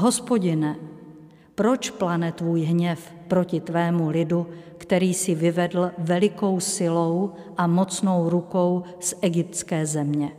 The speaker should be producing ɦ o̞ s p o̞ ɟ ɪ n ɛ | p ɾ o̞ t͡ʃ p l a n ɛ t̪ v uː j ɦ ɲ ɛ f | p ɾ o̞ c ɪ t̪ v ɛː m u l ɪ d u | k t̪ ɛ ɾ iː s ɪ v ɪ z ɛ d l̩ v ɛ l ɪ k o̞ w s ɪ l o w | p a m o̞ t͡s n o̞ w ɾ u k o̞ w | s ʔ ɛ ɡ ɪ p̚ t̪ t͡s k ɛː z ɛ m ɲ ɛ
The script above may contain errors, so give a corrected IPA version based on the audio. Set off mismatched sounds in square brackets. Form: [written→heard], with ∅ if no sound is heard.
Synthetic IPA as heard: ɦ o̞ s p o̞ ɟ ɪ n ɛ | p ɾ o̞ t͡ʃ p l a n ɛ t̪ v uː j ɦ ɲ ɛ f | p ɾ o̞ c ɪ t̪ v ɛː m u l ɪ d u | k t̪ ɛ ɾ iː s ɪ v ɪ [z→v] ɛ d l̩ v ɛ l ɪ k o̞ w s ɪ l o w | [p→ʔ] a m o̞ t͡s n o̞ w ɾ u k o̞ w | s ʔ ɛ ɡ ɪ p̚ t̪ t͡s k ɛː z ɛ m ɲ ɛ